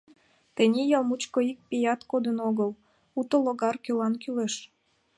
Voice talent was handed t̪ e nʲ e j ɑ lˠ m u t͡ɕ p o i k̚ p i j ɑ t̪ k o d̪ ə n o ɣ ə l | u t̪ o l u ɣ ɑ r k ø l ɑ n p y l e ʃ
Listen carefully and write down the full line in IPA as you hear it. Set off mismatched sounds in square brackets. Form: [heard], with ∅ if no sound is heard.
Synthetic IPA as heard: t̪ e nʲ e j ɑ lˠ m u t͡ɕ [k] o i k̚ p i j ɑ t̪ k o d̪ ə n o ɣ ə l | u t̪ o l [o] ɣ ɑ r k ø l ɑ n [k] y l e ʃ